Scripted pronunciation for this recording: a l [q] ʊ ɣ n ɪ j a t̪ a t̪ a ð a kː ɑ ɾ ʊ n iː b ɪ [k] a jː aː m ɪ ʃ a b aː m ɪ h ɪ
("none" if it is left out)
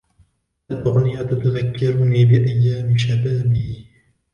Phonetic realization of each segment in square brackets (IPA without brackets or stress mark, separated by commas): ʔ, ʔ